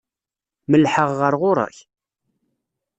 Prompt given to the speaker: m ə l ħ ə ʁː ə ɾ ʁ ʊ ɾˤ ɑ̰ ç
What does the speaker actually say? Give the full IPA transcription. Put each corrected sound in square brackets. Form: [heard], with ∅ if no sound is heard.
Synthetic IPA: m ə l ħ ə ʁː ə ɾ ʁ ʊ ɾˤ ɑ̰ ç